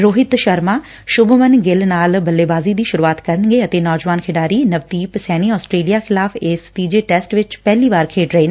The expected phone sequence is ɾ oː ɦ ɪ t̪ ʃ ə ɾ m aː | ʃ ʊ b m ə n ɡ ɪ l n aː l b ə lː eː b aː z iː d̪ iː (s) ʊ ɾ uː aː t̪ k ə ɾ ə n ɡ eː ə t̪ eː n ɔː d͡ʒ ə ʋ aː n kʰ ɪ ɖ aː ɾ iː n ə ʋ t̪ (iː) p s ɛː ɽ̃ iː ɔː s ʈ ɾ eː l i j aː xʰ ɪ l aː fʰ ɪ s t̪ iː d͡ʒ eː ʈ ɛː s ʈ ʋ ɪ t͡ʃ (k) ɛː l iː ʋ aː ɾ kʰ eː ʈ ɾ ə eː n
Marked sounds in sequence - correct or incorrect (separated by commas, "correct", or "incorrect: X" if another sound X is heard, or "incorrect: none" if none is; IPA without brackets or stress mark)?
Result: incorrect: ʃ, correct, incorrect: p